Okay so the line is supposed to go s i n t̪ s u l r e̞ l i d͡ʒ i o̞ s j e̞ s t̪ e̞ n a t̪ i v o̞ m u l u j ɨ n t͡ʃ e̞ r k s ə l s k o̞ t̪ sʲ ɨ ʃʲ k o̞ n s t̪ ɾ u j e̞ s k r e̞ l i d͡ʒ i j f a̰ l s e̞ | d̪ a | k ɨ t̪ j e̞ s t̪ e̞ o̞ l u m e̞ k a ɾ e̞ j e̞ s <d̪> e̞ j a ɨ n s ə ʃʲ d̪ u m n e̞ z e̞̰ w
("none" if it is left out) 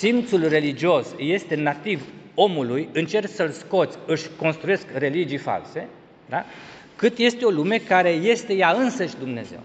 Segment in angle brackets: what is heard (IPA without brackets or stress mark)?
t̪